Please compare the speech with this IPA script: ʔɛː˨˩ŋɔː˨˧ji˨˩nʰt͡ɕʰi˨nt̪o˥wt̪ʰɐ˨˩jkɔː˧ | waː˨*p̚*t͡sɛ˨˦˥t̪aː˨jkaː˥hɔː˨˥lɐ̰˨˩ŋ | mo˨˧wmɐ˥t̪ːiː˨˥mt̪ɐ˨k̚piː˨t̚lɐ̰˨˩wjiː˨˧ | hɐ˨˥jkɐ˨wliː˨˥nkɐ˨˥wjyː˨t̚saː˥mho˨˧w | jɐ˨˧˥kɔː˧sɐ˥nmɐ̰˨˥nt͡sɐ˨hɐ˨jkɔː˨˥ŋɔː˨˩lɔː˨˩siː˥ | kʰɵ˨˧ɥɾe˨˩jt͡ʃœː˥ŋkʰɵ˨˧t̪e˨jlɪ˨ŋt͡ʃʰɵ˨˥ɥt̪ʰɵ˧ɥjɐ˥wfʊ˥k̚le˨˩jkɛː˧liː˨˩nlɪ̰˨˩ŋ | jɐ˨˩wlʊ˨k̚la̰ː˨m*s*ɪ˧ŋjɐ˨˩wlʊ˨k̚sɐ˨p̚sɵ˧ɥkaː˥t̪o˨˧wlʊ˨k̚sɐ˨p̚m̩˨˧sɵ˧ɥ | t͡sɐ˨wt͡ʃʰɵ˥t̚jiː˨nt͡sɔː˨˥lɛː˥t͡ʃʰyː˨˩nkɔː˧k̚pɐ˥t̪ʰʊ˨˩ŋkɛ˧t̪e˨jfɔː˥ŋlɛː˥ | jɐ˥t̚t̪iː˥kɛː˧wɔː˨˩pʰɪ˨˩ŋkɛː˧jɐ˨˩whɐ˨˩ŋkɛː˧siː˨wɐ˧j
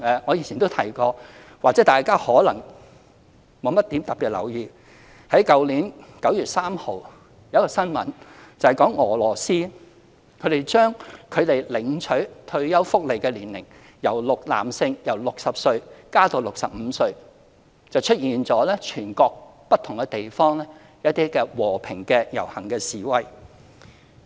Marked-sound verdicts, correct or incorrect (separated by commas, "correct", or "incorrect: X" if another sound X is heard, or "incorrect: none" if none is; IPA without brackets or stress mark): incorrect: k̚, correct